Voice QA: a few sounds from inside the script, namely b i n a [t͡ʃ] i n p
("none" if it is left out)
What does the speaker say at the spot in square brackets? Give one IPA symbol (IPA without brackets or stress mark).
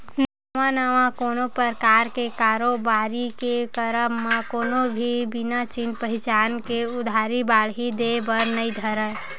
t͡ʃ